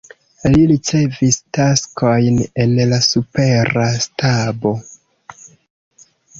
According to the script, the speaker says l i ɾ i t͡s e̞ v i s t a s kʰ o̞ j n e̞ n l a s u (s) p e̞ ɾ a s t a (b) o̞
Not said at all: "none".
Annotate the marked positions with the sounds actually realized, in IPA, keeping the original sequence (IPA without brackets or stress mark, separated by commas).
none, b